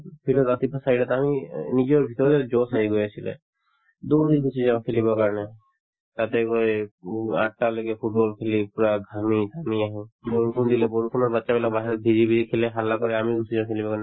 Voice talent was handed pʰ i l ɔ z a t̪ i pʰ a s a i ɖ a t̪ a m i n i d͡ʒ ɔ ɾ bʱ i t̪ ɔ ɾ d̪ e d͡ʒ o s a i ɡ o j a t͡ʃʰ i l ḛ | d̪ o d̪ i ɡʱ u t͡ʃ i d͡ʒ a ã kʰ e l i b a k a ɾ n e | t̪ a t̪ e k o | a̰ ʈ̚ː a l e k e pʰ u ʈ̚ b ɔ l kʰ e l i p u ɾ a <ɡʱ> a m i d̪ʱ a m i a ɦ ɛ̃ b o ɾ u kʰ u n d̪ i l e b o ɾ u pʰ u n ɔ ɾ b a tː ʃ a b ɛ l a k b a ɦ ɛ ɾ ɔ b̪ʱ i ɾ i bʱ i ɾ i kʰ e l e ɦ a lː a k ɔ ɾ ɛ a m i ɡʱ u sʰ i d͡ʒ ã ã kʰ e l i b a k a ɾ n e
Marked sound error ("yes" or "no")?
no